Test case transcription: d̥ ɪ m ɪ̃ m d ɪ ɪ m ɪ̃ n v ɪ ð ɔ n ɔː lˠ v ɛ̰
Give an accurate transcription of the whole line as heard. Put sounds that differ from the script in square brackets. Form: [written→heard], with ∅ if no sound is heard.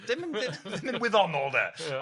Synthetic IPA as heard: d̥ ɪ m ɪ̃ [m→n] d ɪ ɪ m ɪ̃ n [v→w] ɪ ð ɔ n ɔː lˠ [v→ð] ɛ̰